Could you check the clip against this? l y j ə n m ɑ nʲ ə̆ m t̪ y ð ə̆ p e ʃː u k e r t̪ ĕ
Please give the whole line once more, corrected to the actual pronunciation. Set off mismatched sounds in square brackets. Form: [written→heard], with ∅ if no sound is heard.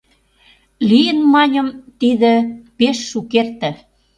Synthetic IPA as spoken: l [y→i] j ə n m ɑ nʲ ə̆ m t̪ [y→i] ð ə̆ p e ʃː u k e r t̪ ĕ